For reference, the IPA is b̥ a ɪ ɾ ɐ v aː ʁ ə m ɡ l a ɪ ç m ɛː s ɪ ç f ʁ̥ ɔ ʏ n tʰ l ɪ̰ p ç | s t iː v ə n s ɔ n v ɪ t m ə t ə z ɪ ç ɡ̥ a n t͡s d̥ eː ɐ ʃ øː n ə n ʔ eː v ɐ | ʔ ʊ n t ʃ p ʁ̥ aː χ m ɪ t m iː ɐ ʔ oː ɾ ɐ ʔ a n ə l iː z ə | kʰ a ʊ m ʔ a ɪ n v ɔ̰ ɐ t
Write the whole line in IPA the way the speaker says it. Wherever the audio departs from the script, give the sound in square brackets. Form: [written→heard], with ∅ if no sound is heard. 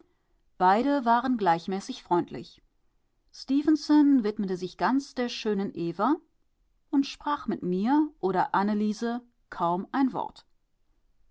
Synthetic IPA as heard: b̥ a ɪ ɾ [ɐ→ə] v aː ʁ ə [m→n] ɡ l a ɪ ç m ɛː s ɪ ç f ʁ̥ ɔ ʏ n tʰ l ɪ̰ [p→∅] ç | s t iː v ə n s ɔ n v ɪ t m ə t ə z ɪ ç ɡ̥ a n t͡s d̥ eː ɐ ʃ øː n ə n ʔ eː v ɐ | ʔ ʊ n t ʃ p ʁ̥ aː χ m ɪ t m iː ɐ ʔ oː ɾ ɐ ʔ a n ə l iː z ə | kʰ a ʊ m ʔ a ɪ n v ɔ̰ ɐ t